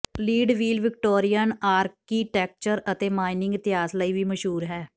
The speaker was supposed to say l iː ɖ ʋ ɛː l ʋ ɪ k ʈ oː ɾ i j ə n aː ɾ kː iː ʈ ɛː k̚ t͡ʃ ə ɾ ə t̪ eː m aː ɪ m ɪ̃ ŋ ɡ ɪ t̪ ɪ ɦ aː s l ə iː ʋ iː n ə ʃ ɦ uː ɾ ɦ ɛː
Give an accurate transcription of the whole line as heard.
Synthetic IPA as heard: l iː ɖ ʋ iː l ʋ ɪ k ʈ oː ɾ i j ə n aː ɾ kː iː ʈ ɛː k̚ t͡ʃ ə ɾ ə t̪ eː m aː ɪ n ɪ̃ ŋ ɡ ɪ t̪ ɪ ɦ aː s l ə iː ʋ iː m ə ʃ ɦ uː ɾ ɦ ɛː